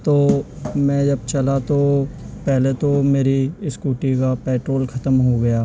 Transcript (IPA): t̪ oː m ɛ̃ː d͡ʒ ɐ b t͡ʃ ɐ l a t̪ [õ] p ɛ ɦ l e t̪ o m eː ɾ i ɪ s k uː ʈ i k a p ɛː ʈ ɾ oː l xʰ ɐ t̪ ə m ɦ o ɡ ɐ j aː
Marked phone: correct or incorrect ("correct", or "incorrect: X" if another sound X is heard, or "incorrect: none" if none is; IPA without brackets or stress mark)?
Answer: incorrect: o